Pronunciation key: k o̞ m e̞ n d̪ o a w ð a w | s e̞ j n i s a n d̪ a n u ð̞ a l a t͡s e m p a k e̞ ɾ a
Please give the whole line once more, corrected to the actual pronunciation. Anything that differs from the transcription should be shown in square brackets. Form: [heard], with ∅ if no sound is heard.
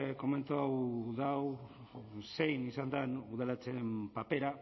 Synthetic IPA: k o̞ m e̞ n [t̪] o a w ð a w | s e̞ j n i s a n d̪ a n u ð̞ a l a t͡s e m p a [p] e̞ ɾ a

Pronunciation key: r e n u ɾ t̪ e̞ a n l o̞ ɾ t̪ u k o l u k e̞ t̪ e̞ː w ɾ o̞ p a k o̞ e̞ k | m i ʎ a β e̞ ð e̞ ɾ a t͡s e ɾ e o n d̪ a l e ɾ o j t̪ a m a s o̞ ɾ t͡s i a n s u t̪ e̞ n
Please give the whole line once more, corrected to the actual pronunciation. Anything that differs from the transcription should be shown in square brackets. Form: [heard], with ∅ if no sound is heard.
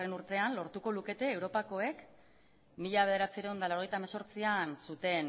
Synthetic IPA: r e n u ɾ t̪ e̞ a n l o̞ ɾ t̪ u k o l u k e̞ t̪ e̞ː w ɾ o̞ p a k o̞ e̞ k | m i ʎ a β e̞ ð e̞ ɾ a t͡s [i] ɾ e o n d̪ a l [a] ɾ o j t̪ a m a s o̞ ɾ t͡s i a n s u t̪ e̞ n

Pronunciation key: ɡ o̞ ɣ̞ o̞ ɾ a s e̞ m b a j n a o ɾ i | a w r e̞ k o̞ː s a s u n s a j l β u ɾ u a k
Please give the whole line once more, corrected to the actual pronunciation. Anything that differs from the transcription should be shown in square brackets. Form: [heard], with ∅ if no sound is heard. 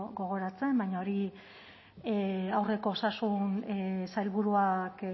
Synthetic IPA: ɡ o̞ ɣ̞ o̞ ɾ a [t͡s] e̞ m b a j [ɲ] a o ɾ i | a w r e̞ k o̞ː s a s u n s a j l β u ɾ u a k

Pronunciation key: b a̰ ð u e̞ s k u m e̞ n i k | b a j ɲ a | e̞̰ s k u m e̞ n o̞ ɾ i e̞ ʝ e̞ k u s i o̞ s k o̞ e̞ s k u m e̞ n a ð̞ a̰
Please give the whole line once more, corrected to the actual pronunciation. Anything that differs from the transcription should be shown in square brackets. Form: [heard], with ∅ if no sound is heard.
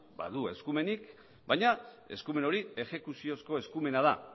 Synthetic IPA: b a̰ ð u e̞ s k u m e̞ n i k | b a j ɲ a | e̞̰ s k u m e̞ n o̞ ɾ i e̞ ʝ e̞ k u s i o̞ s k o̞ e̞ s k u m e̞ n a ð̞ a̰

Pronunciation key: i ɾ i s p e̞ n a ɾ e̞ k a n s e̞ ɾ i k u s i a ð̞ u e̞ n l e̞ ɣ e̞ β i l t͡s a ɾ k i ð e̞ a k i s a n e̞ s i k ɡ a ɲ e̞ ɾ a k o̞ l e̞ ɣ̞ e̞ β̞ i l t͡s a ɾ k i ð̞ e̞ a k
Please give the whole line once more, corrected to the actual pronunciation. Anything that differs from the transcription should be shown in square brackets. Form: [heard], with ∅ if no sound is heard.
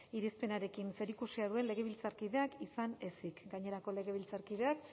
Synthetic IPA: i ɾ i s p e̞ n a ɾ e̞ k [i] n s e̞ ɾ i k u s i a ð̞ u e̞ n l e̞ ɣ e̞ β i l t͡s a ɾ k i ð e̞ a k i s a n e̞ s i k ɡ a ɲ e̞ ɾ a k o̞ l e̞ ɣ̞ e̞ β̞ i l t͡s a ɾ k i ð̞ e̞ a k

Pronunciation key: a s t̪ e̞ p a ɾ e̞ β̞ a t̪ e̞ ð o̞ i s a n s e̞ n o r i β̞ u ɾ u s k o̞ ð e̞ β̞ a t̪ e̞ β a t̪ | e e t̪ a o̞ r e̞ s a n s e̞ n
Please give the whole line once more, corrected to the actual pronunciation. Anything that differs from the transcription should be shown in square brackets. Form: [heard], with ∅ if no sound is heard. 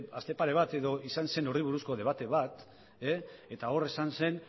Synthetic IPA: a s t̪ e̞ p a ɾ e̞ β̞ a t̪ e̞ ð o̞ i s a n s e̞ n o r i β̞ u ɾ u s k o̞ ð e̞ β̞ a t̪ e̞ β a t̪ | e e t̪ a o̞ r e̞ s a n s e̞ n

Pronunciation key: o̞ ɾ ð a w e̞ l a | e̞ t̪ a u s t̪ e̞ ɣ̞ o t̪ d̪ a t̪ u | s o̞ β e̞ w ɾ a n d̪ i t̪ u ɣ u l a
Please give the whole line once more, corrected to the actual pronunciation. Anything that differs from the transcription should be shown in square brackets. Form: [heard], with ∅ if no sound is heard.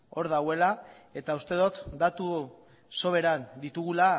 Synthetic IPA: o̞ ɾ ð a w e̞ l a | e̞ t̪ a u s t̪ e̞ [ð̞] o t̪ d̪ a t̪ u | s o̞ β e̞ [∅] ɾ a n d̪ i t̪ u ɣ u l a

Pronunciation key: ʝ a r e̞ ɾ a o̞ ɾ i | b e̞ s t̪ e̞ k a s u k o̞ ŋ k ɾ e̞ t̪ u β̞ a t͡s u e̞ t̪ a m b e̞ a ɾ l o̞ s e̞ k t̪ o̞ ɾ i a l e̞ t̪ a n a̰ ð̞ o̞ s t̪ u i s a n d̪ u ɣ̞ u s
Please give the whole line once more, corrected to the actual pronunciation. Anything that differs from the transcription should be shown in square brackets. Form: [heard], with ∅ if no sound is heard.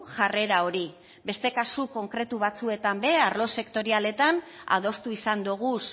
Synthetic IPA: ʝ a r e̞ ɾ a o̞ ɾ i | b e̞ s t̪ e̞ k a s u k o̞ ŋ k ɾ e̞ t̪ u β̞ a t͡s u e̞ t̪ a m b e̞ a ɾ l o̞ s e̞ k t̪ o̞ ɾ i a l e̞ t̪ a n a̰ ð̞ o̞ s t̪ u i s a n d̪ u ɣ̞ u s

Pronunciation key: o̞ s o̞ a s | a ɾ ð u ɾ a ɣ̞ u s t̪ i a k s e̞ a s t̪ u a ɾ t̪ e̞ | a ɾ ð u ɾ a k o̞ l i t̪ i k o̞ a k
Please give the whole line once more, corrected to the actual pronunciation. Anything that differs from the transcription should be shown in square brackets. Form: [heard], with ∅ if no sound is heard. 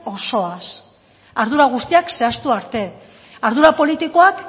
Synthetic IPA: o̞ s o̞ a s | a ɾ ð u ɾ a ɣ̞ u s t̪ i a k s e̞ a s t̪ u a ɾ t̪ e̞ | a ɾ ð u ɾ a [p] o̞ l i t̪ i k o̞ a k

